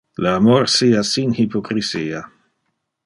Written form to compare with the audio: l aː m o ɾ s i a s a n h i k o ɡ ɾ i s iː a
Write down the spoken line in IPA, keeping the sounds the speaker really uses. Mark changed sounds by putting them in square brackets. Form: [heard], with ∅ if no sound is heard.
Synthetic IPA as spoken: l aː m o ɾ s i a s [i] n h i [p] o [k] ɾ i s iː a